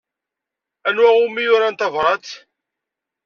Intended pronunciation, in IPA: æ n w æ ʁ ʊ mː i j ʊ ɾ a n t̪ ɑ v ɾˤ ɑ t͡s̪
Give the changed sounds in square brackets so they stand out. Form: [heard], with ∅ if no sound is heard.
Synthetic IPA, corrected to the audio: æ n w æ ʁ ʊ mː i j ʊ ɾ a n t̪ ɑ v ɾˤ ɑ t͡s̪